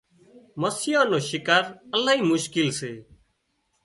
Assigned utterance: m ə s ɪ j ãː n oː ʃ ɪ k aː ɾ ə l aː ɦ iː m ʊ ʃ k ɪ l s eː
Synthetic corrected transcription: m ə s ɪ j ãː n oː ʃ ɪ k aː ɾ ə l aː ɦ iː m ʊ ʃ k ɪ l s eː